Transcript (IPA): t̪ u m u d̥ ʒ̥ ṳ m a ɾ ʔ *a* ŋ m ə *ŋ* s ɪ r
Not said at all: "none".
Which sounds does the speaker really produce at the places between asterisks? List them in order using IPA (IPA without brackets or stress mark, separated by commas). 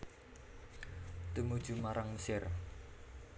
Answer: a, none